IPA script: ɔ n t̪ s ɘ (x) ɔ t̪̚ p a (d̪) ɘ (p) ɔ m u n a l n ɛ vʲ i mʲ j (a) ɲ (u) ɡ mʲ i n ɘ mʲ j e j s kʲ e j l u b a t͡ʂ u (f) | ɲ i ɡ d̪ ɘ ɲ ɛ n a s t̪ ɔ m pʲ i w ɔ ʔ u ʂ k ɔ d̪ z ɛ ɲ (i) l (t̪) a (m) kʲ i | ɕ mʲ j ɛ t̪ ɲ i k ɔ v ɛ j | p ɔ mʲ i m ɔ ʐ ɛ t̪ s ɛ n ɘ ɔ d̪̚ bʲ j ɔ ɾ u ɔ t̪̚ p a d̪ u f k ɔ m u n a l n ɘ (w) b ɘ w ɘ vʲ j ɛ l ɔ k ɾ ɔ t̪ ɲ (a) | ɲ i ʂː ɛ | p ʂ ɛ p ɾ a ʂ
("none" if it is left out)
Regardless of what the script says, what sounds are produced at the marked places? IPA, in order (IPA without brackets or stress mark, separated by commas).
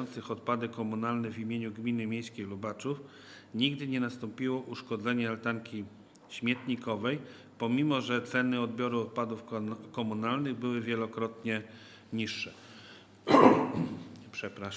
x, d̪, k, e, u, f, ɛ, t̪, ŋ, ɣ, ɛ